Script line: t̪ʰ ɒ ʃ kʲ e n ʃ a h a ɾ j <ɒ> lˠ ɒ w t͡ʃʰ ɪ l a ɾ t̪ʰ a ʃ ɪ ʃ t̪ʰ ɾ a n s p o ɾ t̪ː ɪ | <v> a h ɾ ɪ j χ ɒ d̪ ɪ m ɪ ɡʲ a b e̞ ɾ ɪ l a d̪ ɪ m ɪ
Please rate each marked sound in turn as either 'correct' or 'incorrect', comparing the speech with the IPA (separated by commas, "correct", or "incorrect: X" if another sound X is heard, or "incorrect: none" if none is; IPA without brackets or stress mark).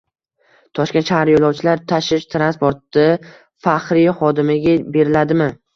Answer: incorrect: o, incorrect: f